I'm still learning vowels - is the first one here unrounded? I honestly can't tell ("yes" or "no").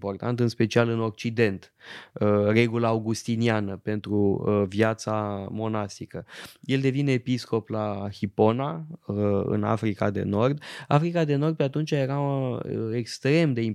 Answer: no